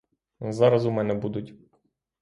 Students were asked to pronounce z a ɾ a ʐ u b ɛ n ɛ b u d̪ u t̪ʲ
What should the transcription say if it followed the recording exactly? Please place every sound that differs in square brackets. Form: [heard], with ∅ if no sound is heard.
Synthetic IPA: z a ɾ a [z] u [m] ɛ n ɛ b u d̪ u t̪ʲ